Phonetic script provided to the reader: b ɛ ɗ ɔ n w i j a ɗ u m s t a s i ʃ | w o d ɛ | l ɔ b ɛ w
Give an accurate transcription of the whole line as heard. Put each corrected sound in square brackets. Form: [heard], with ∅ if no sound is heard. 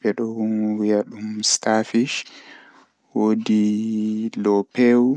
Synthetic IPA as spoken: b ɛ ɗ ɔ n w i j a ɗ u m s t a [f] i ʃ | w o d [i] | l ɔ [p] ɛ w